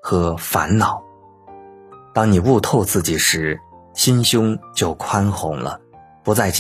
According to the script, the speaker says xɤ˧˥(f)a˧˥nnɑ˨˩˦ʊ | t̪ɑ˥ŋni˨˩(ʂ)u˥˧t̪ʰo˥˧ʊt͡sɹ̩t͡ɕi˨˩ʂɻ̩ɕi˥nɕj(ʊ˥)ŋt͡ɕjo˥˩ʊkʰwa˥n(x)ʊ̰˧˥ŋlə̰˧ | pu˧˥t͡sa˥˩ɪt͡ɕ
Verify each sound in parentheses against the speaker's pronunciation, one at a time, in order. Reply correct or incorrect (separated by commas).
correct, incorrect, correct, correct